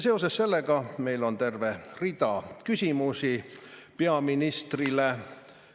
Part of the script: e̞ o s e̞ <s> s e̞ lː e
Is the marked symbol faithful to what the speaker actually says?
yes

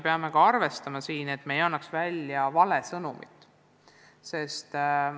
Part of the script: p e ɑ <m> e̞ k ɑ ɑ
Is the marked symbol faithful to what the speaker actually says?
yes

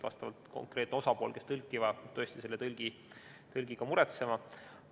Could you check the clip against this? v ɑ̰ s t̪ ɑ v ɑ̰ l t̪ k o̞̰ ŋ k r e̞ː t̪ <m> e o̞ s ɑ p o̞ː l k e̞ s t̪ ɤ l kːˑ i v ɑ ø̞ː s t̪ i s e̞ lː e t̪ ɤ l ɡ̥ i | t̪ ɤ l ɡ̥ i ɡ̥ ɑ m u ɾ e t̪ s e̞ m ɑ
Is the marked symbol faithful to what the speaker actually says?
no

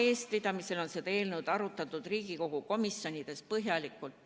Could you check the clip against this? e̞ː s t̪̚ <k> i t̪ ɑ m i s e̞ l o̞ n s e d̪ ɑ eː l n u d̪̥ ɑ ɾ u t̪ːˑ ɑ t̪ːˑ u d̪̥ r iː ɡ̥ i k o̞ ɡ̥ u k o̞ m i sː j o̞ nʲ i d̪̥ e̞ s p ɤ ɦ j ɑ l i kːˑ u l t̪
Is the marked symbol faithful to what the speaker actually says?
no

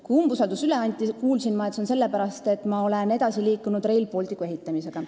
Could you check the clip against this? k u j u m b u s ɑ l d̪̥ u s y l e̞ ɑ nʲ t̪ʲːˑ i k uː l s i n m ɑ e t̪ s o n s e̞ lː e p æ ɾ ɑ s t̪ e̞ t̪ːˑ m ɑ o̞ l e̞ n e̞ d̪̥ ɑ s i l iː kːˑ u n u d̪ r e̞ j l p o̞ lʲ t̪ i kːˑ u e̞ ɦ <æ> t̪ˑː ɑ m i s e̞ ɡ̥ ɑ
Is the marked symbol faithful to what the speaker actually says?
no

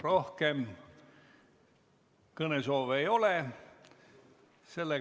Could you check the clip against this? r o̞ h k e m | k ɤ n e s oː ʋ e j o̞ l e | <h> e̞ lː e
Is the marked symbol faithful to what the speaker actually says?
no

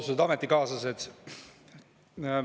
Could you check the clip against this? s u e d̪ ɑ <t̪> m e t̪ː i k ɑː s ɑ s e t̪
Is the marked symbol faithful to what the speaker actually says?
no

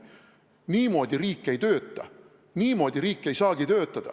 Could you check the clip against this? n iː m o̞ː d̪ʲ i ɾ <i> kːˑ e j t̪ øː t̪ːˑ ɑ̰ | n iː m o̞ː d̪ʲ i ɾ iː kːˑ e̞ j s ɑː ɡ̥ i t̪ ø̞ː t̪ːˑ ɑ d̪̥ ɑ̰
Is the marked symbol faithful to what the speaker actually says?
no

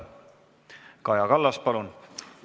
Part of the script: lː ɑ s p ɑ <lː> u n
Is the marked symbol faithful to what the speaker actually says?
no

